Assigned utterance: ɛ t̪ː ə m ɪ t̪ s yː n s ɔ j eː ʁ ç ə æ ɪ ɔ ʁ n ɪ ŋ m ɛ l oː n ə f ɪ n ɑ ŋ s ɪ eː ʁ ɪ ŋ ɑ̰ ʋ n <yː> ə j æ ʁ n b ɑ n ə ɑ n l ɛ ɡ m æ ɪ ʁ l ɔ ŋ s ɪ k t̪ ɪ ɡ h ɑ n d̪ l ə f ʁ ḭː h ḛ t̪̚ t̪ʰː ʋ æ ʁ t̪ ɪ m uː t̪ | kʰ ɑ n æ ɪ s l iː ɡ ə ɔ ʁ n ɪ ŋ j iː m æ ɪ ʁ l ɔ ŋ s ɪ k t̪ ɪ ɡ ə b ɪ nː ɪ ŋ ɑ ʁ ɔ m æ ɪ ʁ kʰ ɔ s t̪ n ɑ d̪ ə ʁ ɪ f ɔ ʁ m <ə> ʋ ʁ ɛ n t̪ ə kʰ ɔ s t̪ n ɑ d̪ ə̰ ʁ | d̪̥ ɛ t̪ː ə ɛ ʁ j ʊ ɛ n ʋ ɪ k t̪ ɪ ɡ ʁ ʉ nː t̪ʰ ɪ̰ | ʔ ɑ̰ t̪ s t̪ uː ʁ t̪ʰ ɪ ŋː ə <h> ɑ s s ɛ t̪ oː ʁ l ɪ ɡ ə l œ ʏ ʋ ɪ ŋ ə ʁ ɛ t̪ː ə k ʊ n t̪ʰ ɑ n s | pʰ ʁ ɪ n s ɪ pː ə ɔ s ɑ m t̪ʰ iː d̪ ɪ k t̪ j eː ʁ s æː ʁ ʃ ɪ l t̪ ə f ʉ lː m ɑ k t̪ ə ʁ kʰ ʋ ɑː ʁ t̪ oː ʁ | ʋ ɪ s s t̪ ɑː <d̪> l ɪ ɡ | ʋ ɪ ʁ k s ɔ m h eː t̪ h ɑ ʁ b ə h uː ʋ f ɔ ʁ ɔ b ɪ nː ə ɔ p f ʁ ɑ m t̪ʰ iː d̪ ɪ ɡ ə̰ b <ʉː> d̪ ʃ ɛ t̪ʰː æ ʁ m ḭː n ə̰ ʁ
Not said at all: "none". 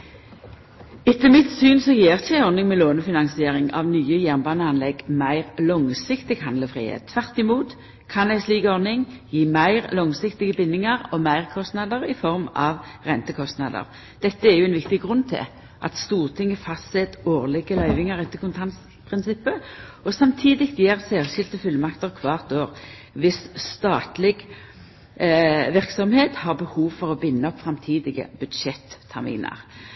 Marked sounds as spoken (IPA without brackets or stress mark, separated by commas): yː, ɑ, f, t̪, ʉ